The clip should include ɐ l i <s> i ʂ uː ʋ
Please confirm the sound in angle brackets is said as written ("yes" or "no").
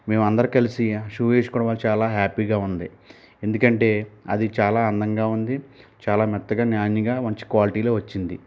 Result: yes